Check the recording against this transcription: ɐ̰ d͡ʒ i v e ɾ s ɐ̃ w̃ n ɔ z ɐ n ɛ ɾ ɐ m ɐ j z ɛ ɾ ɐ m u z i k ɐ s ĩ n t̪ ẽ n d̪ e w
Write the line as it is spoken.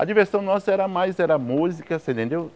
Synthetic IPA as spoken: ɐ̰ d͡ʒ i v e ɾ s ɐ̃ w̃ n ɔ s ɐ ɛ ɾ ɐ m a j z ɛ ɾ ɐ m u z i k ɐ s ẽ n t̪ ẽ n d̪ e w